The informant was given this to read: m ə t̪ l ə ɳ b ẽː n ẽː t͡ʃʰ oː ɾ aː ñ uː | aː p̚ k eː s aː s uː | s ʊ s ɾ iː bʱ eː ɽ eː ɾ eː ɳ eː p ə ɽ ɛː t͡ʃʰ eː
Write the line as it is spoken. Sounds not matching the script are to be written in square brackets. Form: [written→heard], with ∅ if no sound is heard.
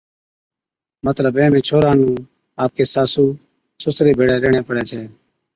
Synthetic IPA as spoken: m ə t̪ l ə [ɳ→∅] b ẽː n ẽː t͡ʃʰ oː ɾ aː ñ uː | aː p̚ k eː s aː s uː | s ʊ s ɾ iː bʱ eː ɽ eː ɾ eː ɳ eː p ə ɽ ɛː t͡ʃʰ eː